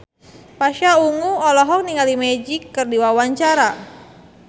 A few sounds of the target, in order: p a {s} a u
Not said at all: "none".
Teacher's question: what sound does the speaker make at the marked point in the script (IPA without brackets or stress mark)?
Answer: ʃ